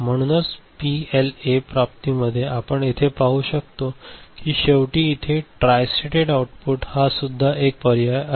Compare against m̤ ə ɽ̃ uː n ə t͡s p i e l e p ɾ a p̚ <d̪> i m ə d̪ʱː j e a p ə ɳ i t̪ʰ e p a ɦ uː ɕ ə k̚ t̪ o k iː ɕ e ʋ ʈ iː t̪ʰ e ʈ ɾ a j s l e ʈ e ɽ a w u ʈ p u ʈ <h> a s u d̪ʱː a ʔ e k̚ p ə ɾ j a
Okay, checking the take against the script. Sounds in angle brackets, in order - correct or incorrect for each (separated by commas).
incorrect, correct